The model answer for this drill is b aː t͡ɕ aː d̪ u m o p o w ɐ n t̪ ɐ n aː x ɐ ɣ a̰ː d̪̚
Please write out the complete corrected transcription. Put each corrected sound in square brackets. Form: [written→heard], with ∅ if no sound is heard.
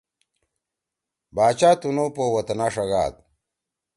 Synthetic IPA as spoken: b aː t͡ɕ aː [d̪→t̪] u [m→n] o p o w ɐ [n→∅] t̪ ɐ n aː [x→ʂ] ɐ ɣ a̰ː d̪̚